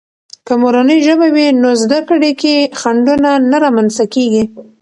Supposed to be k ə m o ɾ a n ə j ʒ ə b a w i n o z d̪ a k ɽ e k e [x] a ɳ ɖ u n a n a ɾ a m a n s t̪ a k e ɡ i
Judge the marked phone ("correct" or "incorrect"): correct